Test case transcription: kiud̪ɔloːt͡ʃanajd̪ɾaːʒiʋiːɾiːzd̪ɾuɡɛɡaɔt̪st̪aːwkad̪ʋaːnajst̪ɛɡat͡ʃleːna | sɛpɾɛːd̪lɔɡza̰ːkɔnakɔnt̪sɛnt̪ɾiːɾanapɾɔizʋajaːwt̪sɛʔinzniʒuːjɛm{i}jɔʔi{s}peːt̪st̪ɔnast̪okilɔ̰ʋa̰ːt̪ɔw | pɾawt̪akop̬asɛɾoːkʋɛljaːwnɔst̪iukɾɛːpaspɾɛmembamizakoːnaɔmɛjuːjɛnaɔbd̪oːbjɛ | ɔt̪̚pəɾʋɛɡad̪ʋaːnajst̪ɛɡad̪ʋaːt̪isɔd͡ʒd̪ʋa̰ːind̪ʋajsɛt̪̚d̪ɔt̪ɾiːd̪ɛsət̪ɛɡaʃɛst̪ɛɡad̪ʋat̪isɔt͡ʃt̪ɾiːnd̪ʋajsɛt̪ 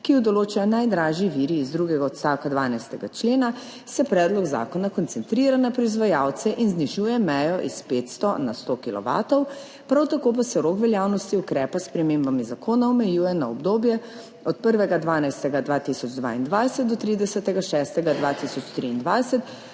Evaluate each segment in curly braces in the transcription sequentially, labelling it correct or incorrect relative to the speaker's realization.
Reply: incorrect: ɛ, correct

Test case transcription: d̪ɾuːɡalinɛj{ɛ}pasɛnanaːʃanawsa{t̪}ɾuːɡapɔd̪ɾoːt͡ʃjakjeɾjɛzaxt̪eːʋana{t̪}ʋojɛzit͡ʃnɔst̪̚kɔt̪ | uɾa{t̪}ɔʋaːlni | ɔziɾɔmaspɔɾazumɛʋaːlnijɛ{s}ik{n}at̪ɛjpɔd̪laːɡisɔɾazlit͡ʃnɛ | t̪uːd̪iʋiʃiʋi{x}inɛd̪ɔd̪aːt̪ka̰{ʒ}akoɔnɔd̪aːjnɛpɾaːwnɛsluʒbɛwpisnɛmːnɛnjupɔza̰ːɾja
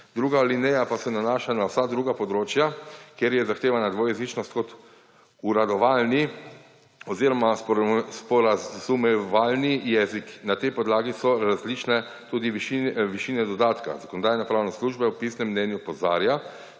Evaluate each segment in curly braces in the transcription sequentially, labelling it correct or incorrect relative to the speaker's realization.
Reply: incorrect: a, incorrect: d̪, incorrect: d̪, incorrect: d̪, incorrect: z, correct, incorrect: ʃ, incorrect: z

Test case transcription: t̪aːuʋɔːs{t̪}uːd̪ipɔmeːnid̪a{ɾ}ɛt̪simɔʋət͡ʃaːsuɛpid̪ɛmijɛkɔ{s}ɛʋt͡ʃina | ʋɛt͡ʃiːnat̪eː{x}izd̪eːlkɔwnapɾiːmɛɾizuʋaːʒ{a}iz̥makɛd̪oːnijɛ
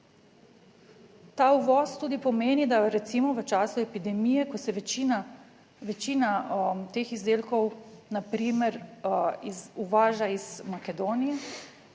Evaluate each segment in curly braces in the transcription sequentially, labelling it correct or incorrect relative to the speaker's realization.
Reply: correct, correct, correct, correct, correct

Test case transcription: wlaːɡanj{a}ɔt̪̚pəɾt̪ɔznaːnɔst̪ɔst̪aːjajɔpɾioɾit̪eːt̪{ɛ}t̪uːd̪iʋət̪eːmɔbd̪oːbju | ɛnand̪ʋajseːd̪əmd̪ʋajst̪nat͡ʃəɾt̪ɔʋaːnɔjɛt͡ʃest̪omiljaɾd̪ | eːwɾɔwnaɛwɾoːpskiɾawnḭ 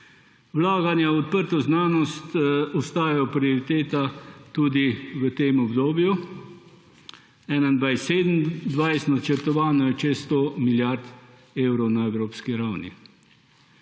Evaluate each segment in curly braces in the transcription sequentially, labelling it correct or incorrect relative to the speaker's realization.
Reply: correct, incorrect: a

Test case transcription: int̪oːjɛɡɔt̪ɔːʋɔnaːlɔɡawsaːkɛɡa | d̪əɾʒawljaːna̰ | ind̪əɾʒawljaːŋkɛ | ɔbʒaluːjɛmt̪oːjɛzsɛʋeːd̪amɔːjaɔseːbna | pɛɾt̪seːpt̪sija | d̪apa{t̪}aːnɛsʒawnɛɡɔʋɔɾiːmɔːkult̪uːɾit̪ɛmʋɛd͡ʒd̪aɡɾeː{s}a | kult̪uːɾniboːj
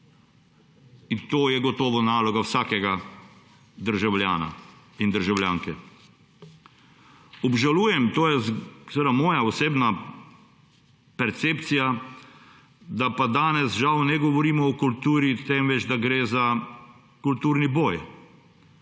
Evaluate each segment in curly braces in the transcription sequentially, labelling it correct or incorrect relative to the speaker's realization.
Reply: incorrect: d̪, incorrect: z

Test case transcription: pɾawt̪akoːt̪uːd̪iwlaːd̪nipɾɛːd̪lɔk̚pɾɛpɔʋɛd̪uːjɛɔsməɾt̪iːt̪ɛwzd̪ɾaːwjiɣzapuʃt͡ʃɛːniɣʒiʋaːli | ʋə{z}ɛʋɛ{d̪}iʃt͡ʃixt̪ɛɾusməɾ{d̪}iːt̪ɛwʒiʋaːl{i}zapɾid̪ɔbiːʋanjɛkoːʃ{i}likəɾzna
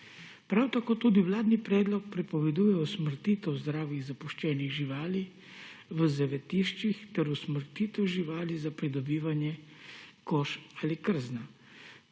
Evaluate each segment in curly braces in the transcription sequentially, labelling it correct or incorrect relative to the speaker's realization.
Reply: correct, incorrect: t̪, incorrect: t̪, correct, incorrect: a

